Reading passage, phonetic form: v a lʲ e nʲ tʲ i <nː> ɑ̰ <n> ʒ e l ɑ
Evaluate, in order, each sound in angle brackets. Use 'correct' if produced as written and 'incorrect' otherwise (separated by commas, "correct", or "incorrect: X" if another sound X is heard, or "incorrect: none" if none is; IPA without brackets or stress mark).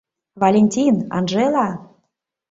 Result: incorrect: n, correct